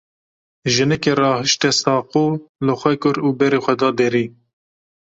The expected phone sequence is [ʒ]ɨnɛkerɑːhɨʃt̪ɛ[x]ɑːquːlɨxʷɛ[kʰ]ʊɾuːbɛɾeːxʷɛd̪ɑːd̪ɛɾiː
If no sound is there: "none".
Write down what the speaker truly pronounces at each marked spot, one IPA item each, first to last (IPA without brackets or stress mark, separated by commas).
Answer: ʒ, s, k